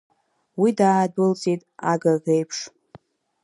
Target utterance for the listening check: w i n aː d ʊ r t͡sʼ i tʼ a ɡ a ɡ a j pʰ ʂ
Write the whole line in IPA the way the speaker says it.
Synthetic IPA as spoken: w i d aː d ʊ l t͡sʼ i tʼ a ɡ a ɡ e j pʰ ʂ